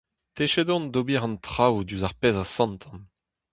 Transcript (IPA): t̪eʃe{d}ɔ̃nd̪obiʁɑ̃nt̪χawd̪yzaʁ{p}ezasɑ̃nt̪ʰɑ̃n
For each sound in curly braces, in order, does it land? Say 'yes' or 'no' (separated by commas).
yes, yes